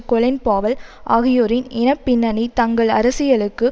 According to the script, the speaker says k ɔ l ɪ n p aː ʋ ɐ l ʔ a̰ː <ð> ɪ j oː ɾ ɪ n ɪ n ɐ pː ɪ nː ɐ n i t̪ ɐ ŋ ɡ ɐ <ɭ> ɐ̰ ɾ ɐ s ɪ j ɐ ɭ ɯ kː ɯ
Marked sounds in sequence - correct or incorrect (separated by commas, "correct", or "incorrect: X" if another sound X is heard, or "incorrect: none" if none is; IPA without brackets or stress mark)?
incorrect: ɣ, correct